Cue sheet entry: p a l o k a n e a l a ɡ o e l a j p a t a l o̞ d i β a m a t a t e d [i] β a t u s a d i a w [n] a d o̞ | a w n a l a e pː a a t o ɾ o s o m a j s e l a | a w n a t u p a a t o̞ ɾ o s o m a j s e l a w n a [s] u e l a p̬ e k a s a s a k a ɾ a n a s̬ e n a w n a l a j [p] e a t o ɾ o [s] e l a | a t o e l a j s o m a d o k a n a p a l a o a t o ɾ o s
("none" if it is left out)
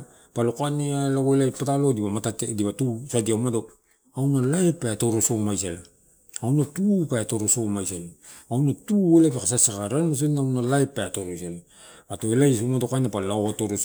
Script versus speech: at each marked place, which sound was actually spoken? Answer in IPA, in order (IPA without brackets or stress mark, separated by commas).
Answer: i, m, t, p, s